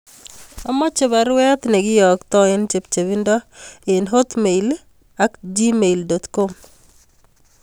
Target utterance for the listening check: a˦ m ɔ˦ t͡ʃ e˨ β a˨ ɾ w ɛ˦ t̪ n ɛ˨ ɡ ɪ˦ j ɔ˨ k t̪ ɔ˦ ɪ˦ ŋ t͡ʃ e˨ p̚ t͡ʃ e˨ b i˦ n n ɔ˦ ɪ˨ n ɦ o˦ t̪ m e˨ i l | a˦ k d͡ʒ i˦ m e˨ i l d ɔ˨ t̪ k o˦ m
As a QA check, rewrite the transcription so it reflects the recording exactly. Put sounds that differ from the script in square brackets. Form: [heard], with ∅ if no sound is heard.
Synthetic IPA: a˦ m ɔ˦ t͡ʃ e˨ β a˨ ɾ w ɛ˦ t̪ n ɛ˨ ɡ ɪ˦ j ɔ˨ k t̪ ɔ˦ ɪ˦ [n] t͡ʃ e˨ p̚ t͡ʃ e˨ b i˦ n [d] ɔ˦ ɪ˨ n ɦ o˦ t̪ m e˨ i l | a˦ k d͡ʒ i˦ m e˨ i l d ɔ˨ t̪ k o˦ m